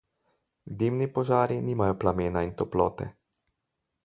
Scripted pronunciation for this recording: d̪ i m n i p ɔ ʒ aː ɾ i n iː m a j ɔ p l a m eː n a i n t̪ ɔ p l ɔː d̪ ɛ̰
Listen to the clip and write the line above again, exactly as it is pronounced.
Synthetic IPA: d̪ i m n i p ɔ ʒ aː ɾ i n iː m a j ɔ p l a m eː n a i n t̪ ɔ p l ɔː t̪ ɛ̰